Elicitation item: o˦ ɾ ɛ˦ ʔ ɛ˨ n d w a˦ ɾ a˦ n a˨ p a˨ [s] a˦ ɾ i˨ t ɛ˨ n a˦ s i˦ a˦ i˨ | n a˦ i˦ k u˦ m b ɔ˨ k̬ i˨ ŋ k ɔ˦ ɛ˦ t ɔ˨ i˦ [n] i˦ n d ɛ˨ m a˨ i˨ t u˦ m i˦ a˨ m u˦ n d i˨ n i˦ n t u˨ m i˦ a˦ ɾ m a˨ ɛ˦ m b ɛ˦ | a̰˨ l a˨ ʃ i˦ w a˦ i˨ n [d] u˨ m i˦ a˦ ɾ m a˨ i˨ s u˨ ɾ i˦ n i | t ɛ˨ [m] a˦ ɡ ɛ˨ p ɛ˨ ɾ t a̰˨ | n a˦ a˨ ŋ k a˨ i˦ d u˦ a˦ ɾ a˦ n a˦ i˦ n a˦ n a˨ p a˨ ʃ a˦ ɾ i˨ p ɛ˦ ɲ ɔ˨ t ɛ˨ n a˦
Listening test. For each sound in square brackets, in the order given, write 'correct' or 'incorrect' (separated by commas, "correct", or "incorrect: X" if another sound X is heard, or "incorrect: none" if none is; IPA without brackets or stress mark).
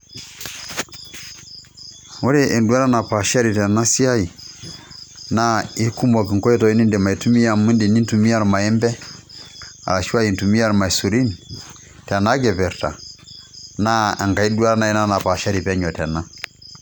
incorrect: ʃ, correct, incorrect: t, incorrect: n